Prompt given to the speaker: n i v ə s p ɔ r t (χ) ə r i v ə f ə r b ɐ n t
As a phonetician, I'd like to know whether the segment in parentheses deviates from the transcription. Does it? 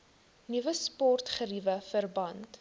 no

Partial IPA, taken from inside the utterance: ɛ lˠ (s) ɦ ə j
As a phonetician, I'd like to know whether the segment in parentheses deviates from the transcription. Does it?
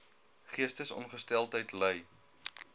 yes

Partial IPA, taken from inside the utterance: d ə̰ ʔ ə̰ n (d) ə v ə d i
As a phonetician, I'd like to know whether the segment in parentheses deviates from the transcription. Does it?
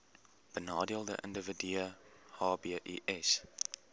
no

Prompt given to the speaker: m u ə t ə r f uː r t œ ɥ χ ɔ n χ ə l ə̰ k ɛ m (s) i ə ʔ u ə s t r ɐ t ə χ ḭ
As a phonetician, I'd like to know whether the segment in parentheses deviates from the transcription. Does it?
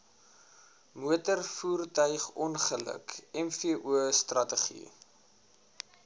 yes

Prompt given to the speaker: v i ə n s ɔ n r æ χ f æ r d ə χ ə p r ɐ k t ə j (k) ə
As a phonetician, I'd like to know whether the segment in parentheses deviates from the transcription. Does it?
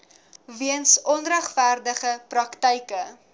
no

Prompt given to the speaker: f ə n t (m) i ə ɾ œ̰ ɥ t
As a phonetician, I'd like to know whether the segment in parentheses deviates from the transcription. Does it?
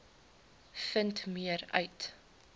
no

